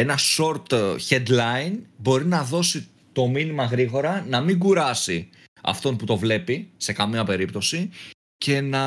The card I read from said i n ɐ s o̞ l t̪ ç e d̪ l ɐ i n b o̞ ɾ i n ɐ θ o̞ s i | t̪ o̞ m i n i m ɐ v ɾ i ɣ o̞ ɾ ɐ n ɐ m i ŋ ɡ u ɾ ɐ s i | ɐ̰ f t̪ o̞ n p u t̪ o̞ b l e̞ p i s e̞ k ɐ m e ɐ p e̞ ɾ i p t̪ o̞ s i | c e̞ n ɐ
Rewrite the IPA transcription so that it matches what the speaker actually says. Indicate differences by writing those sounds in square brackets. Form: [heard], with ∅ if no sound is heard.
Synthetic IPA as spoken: [e] n ɐ s o̞ [ɾ] t̪ ç e d̪ l ɐ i n b o̞ ɾ i n ɐ [ð] o̞ s i | t̪ o̞ m i n i m ɐ [ɣ] ɾ i ɣ o̞ ɾ ɐ n ɐ m i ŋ ɡ u ɾ ɐ s i | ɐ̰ f t̪ o̞ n p u t̪ o̞ [v] l e̞ p i s e̞ k ɐ m [i] ɐ p e̞ ɾ i p t̪ o̞ s i | c e̞ n ɐ